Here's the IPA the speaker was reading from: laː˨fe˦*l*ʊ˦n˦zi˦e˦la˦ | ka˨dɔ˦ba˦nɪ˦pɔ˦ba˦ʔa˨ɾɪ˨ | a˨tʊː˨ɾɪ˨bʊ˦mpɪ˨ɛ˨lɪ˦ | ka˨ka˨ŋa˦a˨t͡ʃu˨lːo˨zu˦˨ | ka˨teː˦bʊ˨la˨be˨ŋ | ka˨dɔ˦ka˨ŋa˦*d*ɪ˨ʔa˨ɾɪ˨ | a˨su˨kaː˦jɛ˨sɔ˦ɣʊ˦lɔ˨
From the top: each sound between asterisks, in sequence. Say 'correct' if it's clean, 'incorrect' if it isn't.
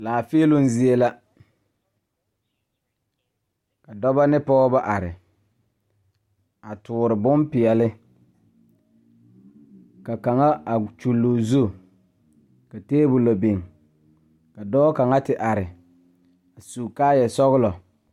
correct, incorrect: t

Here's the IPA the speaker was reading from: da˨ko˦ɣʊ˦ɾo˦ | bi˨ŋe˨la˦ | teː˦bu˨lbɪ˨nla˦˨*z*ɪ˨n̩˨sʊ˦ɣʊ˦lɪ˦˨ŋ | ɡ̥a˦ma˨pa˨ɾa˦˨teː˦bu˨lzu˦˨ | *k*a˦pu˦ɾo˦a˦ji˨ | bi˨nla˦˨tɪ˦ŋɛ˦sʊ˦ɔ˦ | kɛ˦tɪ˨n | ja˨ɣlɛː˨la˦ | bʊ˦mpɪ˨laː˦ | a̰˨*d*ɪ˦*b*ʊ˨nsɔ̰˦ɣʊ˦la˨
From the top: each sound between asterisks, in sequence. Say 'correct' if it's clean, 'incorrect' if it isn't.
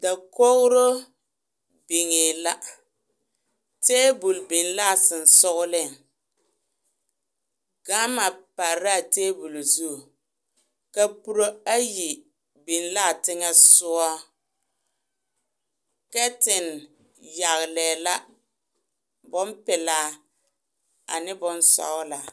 incorrect: s, correct, incorrect: n, correct

